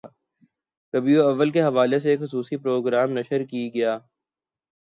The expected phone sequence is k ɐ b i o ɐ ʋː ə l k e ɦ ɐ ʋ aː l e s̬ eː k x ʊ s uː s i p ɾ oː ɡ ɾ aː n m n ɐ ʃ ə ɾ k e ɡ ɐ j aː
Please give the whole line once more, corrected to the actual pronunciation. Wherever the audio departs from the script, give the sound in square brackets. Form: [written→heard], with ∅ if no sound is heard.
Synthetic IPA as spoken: k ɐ b i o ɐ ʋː ə l k e ɦ ɐ ʋ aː l e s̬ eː k x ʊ s uː s i p ɾ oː ɡ ɾ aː [n→∅] m n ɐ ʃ ə ɾ k [e→i] ɡ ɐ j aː